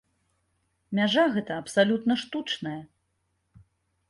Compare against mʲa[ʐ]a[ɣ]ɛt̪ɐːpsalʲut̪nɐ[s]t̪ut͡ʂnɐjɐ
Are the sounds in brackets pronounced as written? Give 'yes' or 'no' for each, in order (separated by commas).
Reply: yes, yes, no